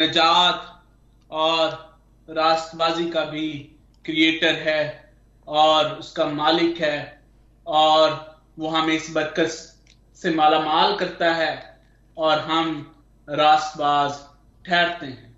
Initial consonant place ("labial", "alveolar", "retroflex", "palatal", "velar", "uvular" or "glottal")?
alveolar